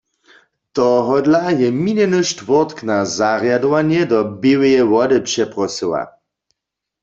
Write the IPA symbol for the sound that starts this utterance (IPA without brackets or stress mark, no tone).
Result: t̪